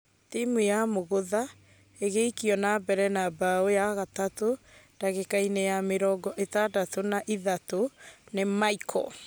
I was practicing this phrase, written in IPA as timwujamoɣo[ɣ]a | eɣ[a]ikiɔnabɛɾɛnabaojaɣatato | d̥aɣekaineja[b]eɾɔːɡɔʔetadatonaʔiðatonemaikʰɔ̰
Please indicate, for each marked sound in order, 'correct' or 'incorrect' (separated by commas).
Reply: incorrect, incorrect, incorrect